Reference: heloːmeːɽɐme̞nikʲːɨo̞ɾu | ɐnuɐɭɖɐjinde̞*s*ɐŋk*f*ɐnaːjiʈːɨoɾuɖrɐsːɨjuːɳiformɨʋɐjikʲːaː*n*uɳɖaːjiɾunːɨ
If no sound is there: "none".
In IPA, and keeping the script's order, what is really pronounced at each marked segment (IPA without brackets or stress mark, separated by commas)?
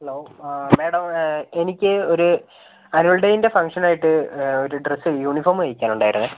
f, ʂ, n